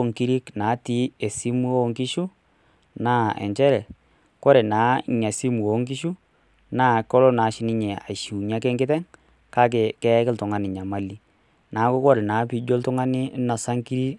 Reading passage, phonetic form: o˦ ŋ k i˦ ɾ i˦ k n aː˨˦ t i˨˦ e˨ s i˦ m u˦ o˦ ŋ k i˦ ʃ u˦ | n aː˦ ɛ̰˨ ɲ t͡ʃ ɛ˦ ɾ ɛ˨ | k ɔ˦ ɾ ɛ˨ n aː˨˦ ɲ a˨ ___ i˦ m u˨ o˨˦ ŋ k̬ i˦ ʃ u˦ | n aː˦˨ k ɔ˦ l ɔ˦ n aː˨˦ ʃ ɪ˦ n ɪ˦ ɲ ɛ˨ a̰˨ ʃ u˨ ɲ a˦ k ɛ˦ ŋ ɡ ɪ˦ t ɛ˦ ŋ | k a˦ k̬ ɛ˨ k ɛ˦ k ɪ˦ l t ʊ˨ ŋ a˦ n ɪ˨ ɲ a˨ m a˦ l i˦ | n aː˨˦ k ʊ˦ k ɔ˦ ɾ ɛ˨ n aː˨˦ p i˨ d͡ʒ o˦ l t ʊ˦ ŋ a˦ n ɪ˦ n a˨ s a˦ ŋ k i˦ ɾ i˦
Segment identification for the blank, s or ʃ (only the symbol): s